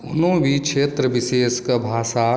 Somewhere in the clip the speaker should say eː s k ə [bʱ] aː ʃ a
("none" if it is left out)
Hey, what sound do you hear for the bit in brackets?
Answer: bʱ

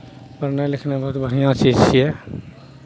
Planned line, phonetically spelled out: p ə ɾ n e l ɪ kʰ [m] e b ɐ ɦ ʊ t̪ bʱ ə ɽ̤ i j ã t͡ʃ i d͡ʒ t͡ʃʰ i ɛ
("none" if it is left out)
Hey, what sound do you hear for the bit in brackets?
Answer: n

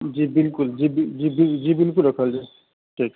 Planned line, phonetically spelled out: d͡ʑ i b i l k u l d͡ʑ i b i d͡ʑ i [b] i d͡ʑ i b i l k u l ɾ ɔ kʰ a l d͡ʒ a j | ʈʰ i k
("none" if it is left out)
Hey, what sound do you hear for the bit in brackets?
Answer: b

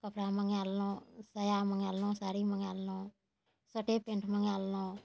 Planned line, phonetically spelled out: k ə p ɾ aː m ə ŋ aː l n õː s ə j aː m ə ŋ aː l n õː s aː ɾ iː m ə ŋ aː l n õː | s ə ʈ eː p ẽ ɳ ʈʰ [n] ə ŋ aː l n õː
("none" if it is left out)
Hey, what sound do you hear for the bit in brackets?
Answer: m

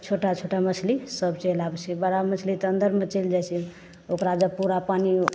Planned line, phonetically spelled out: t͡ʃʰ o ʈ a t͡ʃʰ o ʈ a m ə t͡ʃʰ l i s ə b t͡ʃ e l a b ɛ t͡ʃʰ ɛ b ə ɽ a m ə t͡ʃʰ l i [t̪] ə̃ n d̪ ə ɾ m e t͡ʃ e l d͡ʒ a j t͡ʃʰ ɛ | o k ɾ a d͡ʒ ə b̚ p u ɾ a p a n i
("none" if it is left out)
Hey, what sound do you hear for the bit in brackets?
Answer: t̪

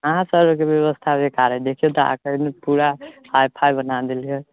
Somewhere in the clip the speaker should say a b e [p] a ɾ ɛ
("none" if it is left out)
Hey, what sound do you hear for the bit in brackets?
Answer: k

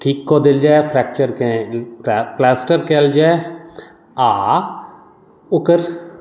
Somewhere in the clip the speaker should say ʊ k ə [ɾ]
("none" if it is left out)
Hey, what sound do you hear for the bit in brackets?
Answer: ɾ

